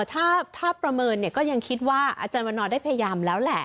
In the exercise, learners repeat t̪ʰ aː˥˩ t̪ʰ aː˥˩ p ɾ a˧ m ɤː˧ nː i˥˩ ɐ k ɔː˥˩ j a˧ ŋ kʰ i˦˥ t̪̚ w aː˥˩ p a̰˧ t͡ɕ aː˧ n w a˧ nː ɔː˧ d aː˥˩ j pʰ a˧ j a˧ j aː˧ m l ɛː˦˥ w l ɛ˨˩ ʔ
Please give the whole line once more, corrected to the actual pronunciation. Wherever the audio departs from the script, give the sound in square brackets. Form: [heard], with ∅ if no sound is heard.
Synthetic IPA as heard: t̪ʰ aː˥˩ t̪ʰ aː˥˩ p ɾ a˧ m ɤː˧ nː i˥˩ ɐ k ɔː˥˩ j a˧ ŋ kʰ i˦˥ t̪̚ w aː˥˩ [ʔ] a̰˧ t͡ɕ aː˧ n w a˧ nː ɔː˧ d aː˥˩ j pʰ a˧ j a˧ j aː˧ m l ɛː˦˥ w l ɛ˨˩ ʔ